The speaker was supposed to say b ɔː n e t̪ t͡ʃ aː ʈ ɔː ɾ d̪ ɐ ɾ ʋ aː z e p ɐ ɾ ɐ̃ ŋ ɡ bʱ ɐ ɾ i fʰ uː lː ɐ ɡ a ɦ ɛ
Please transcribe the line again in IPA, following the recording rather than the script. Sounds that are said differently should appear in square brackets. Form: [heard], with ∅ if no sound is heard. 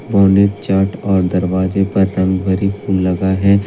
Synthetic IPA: b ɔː n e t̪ t͡ʃ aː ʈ ɔː ɾ d̪ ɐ ɾ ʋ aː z e p ɐ [ɾː] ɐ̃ ŋ ɡ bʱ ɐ ɾ i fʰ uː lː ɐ ɡ a ɦ ɛ